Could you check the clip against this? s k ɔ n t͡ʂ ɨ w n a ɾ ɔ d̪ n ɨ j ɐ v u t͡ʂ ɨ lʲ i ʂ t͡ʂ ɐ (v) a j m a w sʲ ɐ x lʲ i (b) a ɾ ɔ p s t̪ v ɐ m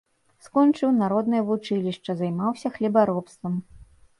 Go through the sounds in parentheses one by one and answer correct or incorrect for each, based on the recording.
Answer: incorrect: z, correct

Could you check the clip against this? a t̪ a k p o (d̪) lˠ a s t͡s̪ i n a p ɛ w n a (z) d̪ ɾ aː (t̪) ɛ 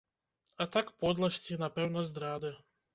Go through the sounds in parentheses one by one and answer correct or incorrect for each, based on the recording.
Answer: correct, correct, incorrect: d̪

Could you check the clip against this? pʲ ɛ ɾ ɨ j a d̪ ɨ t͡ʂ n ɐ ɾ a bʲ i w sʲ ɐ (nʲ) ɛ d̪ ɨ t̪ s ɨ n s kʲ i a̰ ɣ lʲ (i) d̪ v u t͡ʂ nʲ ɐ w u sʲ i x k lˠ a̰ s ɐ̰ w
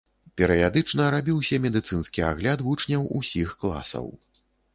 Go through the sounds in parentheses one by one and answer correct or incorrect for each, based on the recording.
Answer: incorrect: mʲ, incorrect: a

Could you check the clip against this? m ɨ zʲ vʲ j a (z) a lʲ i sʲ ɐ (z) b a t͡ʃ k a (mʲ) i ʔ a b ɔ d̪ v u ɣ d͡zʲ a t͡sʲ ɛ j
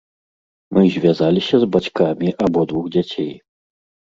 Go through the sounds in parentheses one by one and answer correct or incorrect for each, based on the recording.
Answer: correct, correct, correct

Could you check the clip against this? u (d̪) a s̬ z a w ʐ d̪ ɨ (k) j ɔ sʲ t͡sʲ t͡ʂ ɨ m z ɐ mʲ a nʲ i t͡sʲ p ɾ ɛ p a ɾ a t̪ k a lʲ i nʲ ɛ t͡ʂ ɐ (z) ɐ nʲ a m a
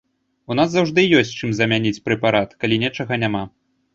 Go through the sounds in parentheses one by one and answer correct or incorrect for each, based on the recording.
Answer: incorrect: n̪, incorrect: none, incorrect: ɣ

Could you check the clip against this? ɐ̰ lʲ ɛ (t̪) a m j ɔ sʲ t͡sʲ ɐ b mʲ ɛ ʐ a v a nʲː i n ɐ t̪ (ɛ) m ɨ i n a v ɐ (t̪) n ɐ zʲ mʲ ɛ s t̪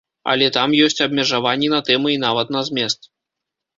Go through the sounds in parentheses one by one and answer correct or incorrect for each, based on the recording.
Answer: correct, correct, correct

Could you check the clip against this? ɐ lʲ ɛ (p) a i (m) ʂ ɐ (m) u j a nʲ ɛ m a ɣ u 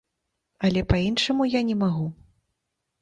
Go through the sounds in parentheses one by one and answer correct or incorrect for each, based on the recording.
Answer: correct, incorrect: n, correct

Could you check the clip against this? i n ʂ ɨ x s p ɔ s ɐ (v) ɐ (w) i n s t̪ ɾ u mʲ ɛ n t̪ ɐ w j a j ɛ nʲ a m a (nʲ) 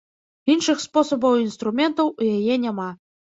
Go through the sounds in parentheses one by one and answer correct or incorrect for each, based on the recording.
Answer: incorrect: b, correct, incorrect: none

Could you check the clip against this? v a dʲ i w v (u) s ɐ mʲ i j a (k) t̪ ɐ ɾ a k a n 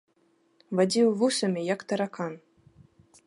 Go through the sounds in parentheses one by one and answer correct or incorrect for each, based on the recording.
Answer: correct, correct

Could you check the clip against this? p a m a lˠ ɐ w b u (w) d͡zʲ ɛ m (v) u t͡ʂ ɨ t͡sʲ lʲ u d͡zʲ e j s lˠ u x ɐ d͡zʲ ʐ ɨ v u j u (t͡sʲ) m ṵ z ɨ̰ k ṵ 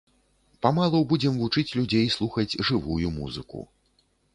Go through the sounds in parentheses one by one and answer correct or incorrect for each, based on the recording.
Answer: incorrect: none, correct, incorrect: none

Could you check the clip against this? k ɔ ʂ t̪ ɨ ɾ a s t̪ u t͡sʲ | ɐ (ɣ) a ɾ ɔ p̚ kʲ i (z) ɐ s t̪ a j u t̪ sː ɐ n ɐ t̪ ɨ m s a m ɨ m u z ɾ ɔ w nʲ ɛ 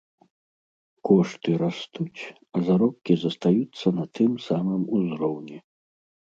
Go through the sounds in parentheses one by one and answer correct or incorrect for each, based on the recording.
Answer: incorrect: z, correct

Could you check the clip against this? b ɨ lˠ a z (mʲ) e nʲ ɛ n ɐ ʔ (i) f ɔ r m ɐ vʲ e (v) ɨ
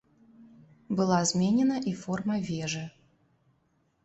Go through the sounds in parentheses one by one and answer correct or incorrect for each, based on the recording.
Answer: correct, correct, incorrect: ʐ

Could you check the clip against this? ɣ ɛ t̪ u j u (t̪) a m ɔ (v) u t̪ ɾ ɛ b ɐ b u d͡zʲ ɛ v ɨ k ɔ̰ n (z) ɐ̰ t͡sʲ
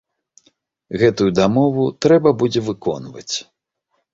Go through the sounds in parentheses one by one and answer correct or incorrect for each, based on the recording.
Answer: incorrect: d̪, correct, incorrect: v

